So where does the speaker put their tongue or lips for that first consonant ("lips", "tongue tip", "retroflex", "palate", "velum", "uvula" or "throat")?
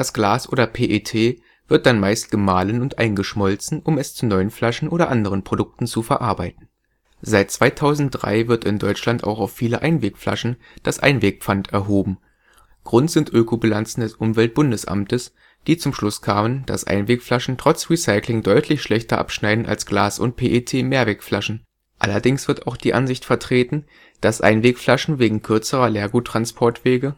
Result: tongue tip